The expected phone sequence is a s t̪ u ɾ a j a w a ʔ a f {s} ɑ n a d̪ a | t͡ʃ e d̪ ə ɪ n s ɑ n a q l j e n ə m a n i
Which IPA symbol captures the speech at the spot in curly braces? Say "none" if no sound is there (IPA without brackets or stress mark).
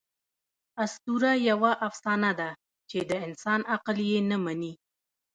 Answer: s